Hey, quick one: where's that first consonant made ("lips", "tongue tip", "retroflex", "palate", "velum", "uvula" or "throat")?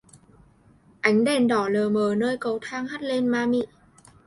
throat